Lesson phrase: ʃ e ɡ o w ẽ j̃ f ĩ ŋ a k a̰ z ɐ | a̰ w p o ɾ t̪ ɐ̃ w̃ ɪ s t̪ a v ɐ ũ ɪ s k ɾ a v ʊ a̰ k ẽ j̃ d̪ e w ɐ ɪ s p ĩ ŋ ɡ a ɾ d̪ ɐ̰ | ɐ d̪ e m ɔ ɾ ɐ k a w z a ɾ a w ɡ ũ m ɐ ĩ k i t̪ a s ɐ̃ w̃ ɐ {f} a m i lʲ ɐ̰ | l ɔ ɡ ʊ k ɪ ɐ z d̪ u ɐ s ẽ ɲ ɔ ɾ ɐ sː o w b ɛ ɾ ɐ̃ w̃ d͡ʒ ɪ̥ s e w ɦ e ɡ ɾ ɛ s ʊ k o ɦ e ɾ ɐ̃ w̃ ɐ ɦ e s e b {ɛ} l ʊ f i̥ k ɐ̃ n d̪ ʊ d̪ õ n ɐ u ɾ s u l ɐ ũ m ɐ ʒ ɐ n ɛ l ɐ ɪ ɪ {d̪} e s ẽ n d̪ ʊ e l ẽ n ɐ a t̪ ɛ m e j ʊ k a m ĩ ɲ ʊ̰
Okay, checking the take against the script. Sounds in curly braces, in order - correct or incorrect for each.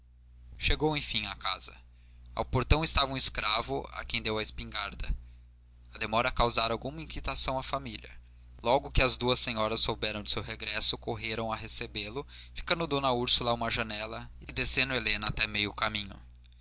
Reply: correct, incorrect: e, correct

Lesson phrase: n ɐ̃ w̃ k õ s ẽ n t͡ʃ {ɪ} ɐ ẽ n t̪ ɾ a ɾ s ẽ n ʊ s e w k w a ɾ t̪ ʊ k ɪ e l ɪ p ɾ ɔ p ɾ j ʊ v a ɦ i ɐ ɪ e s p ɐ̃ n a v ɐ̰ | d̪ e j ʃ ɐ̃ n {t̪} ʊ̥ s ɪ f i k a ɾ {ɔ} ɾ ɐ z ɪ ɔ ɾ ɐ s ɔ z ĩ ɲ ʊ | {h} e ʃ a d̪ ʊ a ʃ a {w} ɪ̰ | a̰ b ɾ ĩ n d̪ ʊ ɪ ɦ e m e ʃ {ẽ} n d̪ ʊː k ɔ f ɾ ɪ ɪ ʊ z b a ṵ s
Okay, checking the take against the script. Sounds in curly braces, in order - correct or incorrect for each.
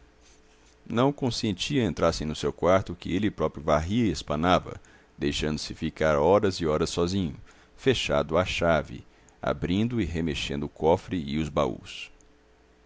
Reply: incorrect: i, incorrect: d̪, correct, incorrect: f, incorrect: v, correct

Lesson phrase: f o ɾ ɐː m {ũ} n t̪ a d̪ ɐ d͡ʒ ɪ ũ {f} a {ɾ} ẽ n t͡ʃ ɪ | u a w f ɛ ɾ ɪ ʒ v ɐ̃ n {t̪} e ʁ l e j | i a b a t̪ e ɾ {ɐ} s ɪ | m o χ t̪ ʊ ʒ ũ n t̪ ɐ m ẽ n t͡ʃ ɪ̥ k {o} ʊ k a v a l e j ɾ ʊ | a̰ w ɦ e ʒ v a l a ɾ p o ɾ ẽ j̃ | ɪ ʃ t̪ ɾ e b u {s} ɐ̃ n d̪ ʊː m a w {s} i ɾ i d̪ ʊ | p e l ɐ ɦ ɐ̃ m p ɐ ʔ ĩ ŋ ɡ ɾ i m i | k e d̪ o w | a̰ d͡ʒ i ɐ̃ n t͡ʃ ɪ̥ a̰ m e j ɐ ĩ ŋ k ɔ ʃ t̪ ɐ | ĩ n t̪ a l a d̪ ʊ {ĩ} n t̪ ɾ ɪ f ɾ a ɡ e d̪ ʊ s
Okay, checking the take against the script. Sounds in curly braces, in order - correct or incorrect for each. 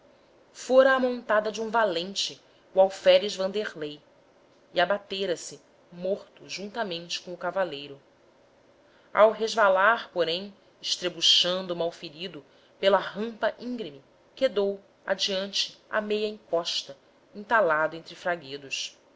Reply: incorrect: õ, incorrect: v, incorrect: l, incorrect: d̪, correct, incorrect: õ, incorrect: ʃ, incorrect: f, incorrect: ẽ

